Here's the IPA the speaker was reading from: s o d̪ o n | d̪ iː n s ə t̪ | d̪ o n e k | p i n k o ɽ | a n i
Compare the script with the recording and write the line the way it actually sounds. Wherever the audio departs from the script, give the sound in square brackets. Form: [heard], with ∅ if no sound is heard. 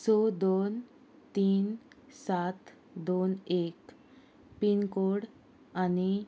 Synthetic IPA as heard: s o d̪ o n | [t̪] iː n s [a] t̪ | d̪ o n e k | p i n k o ɽ | a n i